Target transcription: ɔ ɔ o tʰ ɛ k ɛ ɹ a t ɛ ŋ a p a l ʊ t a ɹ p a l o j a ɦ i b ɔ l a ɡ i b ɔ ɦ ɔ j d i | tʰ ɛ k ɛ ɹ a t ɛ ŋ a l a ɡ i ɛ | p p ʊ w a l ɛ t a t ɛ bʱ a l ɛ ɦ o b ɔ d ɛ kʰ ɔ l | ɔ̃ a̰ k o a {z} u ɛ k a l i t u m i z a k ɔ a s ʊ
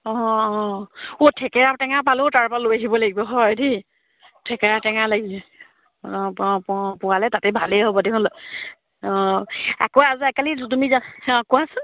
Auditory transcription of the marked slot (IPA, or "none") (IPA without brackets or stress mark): z